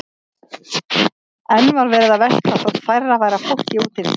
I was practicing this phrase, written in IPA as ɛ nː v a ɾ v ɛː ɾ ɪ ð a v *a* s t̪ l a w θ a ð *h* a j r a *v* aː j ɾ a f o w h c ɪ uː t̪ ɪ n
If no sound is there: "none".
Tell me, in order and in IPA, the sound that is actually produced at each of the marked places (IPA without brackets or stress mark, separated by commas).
ɛ, f, v